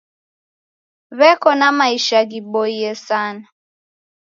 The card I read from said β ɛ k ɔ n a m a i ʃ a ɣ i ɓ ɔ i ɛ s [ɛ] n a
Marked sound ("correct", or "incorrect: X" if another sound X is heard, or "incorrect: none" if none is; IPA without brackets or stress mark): incorrect: a